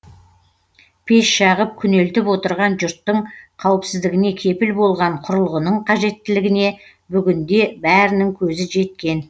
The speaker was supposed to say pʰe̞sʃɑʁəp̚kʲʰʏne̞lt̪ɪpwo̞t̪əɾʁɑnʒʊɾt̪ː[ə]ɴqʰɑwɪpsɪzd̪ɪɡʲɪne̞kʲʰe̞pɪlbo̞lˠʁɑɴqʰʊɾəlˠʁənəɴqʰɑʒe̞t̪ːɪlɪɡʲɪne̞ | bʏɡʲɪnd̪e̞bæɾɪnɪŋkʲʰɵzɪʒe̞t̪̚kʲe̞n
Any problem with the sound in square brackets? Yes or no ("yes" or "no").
no